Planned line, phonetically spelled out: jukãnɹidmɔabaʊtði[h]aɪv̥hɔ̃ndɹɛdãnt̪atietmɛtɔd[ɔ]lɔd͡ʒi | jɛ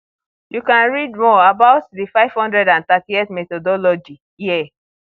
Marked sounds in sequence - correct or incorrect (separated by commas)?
incorrect, correct